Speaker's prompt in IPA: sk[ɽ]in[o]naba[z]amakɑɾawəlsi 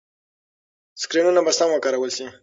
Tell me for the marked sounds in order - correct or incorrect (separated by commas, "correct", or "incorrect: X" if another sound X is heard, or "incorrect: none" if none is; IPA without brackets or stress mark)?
incorrect: ɾ, incorrect: u, incorrect: s